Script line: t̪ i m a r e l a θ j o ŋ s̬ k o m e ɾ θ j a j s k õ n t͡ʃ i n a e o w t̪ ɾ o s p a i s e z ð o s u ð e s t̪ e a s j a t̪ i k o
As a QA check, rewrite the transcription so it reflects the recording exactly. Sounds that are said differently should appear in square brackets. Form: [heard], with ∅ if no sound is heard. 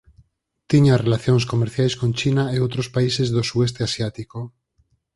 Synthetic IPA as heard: t̪ i [ɲ] a r e l a θ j o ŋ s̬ k o m e ɾ θ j a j s k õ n t͡ʃ i n a e o w t̪ ɾ o s p a i s e z ð o s u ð e s t̪ e a s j a t̪ i k o

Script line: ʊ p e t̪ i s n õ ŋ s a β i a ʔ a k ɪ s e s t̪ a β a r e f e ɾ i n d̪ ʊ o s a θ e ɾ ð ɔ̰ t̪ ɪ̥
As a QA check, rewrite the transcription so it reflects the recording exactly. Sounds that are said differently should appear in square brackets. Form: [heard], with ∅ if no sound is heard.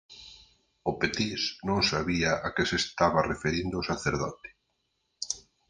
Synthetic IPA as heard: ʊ p e t̪ i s n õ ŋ s a β i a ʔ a k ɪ s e s t̪ a β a r e f e ɾ i n d̪ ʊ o s a θ e ɾ ð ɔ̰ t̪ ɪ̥

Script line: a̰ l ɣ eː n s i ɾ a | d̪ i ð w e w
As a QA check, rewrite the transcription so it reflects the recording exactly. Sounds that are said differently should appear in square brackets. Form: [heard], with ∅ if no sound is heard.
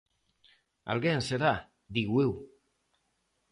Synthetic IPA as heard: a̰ l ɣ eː n s [e] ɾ a | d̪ i [ɣ] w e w

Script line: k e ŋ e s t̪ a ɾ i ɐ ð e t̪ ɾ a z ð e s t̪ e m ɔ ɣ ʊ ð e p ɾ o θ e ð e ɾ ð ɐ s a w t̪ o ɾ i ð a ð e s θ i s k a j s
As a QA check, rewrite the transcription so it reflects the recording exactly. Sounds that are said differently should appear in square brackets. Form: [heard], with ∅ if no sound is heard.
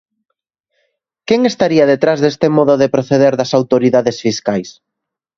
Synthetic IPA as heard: k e ŋ e s t̪ a ɾ i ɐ ð e t̪ ɾ a z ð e s t̪ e m ɔ [ð] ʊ ð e p ɾ o θ e ð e ɾ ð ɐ s a w t̪ o ɾ i ð a ð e s [f] i s k a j s

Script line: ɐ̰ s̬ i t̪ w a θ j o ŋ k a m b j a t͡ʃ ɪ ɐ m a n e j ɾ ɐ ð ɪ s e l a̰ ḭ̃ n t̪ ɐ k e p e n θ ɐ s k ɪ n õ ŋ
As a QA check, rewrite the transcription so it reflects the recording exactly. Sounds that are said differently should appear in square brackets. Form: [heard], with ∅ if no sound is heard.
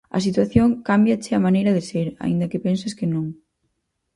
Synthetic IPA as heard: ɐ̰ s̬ i t̪ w a θ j o ŋ k a m b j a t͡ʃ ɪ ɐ m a n e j ɾ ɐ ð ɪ s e [ɾ] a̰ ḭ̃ n [d̪] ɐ k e p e n [s] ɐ s k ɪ n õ ŋ

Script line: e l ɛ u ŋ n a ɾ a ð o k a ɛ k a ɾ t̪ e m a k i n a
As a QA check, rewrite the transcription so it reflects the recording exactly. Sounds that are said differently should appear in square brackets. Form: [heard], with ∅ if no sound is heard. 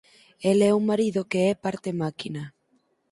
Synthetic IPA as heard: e l ɛ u ŋ [m] a ɾ [i] ð o k [e] ɛ [p] a ɾ t̪ e m a k i n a

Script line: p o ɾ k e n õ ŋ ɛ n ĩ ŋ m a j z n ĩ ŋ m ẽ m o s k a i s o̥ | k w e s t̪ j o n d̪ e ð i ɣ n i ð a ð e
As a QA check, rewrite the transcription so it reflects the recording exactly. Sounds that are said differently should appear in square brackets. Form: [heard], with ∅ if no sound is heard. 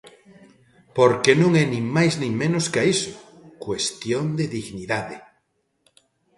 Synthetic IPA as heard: p o ɾ k e n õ ŋ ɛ n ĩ ŋ m a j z n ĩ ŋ m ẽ [n] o s k a i s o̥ | k w e s t̪ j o n d̪ e ð i ɣ n i ð a ð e

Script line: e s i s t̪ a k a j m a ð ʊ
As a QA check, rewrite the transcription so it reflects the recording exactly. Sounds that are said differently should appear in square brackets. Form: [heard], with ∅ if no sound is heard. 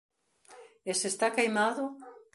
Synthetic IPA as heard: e s [e] s t̪ a k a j m a ð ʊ

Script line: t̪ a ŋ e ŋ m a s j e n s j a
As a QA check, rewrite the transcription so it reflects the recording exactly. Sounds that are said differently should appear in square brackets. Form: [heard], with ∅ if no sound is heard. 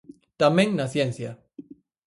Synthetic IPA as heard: t̪ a [m] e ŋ [n] a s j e n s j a

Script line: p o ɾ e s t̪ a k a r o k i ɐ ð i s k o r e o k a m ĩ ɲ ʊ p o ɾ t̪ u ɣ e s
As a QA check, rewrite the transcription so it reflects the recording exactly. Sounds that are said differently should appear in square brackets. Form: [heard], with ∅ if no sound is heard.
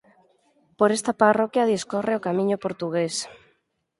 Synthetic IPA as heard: p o ɾ e s t̪ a [p] a r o k [j] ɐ ð i s k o r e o k a m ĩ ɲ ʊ p o ɾ t̪ u ɣ e s

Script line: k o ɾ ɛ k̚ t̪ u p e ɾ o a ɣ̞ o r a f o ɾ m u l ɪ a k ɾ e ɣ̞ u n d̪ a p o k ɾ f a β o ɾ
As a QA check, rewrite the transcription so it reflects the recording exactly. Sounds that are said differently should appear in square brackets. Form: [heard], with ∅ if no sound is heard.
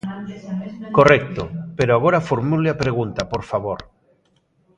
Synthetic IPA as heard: k o [r] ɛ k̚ t̪ [o] p e ɾ o a ɣ̞ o [ɾ] a f o ɾ m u l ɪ a [p] ɾ e ɣ̞ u n [t̪] a p o [∅] ɾ f a β o ɾ

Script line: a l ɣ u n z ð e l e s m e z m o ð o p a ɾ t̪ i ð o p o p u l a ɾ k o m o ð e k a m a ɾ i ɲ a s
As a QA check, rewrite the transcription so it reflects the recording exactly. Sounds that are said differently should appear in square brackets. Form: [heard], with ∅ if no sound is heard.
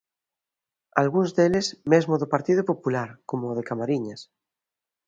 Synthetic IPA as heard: a l ɣ u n z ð e l e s m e z m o ð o p a ɾ t̪ i ð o p o p u l a ɾ k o m o ð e k a m a ɾ i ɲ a s

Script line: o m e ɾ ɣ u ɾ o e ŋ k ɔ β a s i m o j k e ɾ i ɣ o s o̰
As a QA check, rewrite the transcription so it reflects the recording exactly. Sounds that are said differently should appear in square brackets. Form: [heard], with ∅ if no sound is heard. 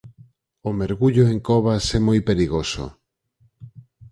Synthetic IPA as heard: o m e ɾ ɣ u [ʎ] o e ŋ k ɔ β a s [ɛ] m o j [p] e ɾ i ɣ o s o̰

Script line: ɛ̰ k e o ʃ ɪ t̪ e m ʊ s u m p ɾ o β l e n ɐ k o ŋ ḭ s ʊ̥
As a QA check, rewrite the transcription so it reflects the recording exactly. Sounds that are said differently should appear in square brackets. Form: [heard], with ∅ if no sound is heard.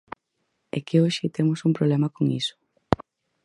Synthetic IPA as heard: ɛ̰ k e o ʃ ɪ t̪ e m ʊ s u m p ɾ o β l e [m] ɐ k o ŋ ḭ s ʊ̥

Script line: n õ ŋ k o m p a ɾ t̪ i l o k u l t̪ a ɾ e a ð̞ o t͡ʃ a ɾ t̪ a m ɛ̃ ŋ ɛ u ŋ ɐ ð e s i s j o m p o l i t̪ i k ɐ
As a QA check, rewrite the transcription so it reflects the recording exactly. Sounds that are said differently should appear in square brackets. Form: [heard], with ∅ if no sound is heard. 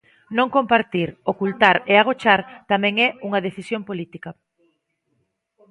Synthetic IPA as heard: n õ ŋ k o m p a ɾ t̪ i [ɾ] o k u l t̪ a ɾ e a [ɣ̞] o t͡ʃ a ɾ t̪ a m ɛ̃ ŋ ɛ u ŋ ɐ ð e [θ] i s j o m p o l i t̪ i k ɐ

